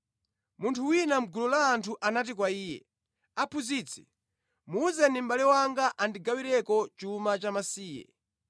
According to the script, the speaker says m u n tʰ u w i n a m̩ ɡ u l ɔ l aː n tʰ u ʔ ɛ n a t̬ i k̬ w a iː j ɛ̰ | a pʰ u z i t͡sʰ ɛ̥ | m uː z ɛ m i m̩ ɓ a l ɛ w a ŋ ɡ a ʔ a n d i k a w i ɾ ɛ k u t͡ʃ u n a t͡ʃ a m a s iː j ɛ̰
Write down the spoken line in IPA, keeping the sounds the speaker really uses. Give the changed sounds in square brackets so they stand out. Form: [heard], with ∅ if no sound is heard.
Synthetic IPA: m u n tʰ u w i n a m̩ ɡ u l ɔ l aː n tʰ u ʔ [a] n a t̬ i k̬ w a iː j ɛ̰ | a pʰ u z i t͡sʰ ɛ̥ | m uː z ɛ [n] i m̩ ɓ a l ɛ w a ŋ ɡ a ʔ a n d i [ɡ] a w i ɾ ɛ k [ɔ] t͡ʃ u [m] a t͡ʃ a m a s iː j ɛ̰